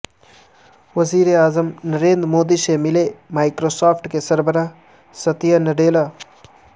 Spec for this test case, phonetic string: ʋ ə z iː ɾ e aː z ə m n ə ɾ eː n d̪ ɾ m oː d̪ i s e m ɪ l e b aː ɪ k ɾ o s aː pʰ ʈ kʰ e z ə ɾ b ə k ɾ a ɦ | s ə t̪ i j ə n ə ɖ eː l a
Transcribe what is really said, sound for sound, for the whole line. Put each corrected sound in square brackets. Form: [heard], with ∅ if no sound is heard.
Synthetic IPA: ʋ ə z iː ɾ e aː z ə m n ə ɾ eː n d̪ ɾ m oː d̪ i s e m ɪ l e [m] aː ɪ k ɾ o s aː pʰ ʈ [k] e [s] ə ɾ b ə [∅] ɾ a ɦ | s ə t̪ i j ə n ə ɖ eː l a